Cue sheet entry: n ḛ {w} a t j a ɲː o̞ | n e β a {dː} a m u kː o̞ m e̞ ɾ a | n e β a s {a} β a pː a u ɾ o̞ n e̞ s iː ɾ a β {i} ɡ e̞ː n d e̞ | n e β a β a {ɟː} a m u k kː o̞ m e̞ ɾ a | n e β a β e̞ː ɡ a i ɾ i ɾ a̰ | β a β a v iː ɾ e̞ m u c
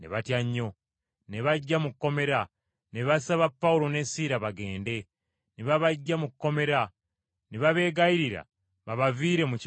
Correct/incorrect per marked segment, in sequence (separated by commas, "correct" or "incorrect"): incorrect, incorrect, correct, incorrect, correct